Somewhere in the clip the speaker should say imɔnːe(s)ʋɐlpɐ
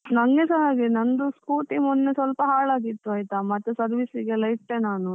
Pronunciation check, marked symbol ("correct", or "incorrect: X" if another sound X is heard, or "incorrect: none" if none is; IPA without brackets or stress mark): correct